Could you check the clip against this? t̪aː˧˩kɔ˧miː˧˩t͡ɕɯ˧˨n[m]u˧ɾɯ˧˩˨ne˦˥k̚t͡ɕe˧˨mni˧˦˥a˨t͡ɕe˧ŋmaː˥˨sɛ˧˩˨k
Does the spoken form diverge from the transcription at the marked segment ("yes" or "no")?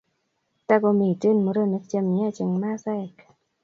no